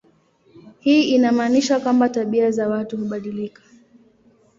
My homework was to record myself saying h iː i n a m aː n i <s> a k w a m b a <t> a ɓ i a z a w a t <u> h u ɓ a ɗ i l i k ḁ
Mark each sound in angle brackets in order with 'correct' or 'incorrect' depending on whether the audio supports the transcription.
incorrect, correct, correct

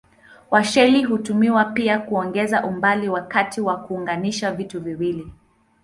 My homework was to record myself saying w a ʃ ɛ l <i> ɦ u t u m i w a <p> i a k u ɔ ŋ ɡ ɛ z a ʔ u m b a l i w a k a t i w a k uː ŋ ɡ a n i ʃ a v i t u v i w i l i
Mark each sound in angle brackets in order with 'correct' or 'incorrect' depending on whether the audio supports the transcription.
correct, correct

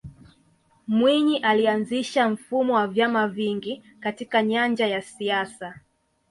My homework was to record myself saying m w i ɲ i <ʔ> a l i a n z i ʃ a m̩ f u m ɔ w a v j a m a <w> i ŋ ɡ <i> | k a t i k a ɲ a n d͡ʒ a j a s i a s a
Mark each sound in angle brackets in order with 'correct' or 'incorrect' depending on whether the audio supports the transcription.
correct, incorrect, correct

